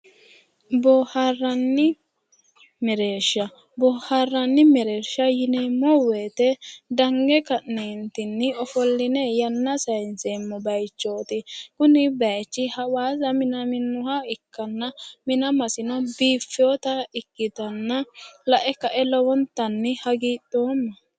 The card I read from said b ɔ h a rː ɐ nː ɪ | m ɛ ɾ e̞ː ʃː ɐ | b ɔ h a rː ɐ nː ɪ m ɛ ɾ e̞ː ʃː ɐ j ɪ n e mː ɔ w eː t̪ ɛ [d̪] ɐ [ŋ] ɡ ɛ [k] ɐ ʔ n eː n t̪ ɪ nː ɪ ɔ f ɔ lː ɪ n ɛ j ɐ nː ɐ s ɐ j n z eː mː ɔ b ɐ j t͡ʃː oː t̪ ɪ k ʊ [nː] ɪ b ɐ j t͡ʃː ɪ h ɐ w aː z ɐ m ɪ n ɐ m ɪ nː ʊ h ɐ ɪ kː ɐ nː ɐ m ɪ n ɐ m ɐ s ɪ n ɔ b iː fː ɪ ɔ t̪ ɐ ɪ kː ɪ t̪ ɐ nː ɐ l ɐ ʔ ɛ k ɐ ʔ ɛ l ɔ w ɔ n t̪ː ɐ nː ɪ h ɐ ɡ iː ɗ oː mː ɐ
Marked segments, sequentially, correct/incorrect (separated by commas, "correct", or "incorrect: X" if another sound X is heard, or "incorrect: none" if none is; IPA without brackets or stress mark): correct, correct, correct, incorrect: n